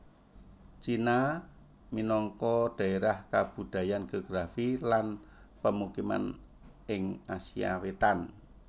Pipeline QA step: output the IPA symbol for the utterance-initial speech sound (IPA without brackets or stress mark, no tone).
t͡ʃ